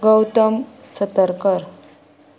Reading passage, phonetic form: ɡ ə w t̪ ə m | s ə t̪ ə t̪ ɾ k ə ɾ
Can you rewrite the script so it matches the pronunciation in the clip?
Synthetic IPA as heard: ɡ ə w t̪ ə m | s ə t̪ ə ɾ k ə ɾ